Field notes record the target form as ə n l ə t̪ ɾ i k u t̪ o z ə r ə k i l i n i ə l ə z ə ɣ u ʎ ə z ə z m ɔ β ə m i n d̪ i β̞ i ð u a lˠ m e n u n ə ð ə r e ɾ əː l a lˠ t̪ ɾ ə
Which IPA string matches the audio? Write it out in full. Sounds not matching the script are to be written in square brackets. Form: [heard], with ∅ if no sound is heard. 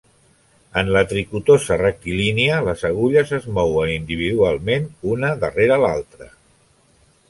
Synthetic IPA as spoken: ə n l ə t̪ ɾ i k u t̪ o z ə r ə k i l i n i ə l ə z ə ɣ u ʎ ə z ə z m ɔ [w] ə [n] i n d̪ i β̞ i ð u a lˠ m e n u n ə ð ə r e ɾ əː l a lˠ t̪ ɾ ə